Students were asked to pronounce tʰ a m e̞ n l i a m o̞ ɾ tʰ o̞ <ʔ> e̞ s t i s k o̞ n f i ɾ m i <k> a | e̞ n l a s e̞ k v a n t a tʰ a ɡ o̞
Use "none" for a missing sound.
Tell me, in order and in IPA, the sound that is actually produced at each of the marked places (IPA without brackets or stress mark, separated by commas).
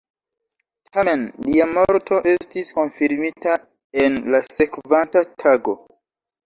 ʔ, t